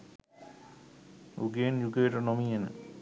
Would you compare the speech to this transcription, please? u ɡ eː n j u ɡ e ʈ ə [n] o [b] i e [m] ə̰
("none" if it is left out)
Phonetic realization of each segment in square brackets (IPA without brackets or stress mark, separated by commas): n, m, n